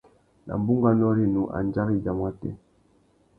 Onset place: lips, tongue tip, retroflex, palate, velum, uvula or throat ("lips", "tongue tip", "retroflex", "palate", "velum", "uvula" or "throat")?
tongue tip